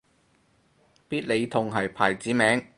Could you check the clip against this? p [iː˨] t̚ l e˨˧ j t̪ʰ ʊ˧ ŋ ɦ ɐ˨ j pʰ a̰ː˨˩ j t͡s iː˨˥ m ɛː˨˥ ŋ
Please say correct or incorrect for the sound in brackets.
incorrect